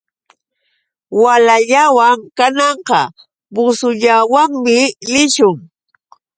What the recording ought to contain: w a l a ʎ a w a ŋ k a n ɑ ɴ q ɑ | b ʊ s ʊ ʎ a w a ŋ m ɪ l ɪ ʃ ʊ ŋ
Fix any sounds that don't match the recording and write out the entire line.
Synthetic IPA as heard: w a l a ʎ a w a ŋ k a n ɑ ɴ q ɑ | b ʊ s ʊ ʎ a w a ŋ m ɪ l ɪ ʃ ʊ ŋ